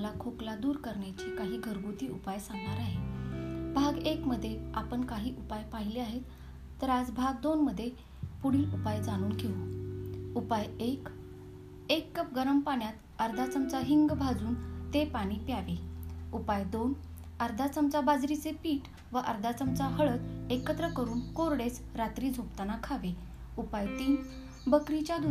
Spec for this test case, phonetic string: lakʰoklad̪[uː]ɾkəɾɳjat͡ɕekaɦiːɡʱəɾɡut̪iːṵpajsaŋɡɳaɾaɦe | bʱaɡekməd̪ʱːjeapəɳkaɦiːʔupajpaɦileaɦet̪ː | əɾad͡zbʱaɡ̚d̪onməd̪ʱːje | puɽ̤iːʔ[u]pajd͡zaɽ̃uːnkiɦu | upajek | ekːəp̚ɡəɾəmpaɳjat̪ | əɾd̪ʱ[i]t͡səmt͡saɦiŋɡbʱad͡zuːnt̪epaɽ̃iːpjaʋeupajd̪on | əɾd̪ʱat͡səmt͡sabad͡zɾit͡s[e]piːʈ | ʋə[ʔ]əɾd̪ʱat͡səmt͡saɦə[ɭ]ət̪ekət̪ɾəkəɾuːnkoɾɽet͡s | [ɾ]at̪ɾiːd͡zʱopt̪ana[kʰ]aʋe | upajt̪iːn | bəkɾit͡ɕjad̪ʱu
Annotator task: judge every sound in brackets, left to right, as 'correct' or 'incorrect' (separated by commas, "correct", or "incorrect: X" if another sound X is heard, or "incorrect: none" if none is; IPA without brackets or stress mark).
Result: correct, correct, incorrect: a, correct, correct, correct, correct, correct